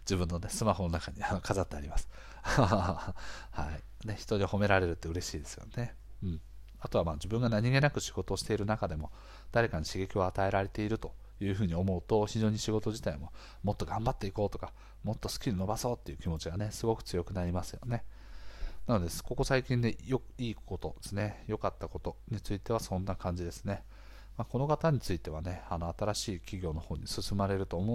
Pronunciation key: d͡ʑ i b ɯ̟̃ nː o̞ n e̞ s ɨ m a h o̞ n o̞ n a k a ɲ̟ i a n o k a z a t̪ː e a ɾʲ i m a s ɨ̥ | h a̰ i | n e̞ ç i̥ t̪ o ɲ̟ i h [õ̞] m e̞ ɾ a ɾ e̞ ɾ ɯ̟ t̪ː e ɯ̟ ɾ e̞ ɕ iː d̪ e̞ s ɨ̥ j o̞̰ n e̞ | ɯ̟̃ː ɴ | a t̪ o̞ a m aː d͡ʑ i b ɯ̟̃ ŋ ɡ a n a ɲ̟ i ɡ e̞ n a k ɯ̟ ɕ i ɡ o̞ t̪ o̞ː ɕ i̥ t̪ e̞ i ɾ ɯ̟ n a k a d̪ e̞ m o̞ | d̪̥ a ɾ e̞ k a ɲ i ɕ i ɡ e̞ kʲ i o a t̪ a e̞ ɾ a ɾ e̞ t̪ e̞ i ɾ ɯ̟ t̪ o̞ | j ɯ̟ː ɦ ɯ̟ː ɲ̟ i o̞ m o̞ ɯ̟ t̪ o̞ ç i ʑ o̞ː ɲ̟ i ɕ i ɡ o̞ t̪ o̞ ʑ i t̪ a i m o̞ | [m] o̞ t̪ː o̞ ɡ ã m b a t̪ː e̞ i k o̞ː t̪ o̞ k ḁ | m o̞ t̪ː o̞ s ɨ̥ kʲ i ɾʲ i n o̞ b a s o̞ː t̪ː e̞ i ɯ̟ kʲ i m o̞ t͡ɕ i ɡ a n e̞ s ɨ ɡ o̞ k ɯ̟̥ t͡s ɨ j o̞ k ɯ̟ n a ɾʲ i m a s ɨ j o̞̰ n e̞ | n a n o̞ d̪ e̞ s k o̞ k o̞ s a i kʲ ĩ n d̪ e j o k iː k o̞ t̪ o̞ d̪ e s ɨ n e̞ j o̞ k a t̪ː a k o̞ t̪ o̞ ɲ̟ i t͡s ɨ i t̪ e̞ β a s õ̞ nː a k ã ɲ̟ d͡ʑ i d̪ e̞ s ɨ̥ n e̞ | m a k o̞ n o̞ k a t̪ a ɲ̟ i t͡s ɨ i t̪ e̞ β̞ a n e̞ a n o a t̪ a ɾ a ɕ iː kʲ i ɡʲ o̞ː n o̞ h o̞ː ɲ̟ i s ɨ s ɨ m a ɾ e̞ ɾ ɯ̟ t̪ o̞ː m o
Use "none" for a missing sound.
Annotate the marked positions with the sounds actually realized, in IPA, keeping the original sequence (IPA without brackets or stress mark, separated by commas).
o̞, m